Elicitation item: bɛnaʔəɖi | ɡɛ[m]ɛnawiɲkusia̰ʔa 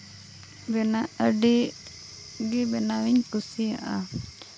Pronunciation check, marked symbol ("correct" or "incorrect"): incorrect